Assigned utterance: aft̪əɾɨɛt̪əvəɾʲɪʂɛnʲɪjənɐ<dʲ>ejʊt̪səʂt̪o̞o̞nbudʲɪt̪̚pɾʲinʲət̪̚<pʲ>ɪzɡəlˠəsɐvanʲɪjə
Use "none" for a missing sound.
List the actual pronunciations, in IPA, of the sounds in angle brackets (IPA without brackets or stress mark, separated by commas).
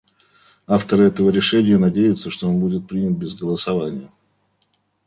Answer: dʲ, bʲ